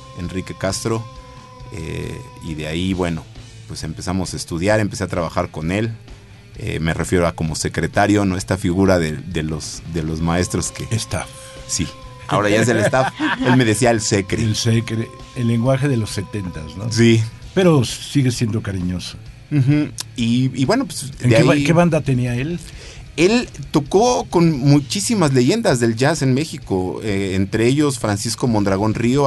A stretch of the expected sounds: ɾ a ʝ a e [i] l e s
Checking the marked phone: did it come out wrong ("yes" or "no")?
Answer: yes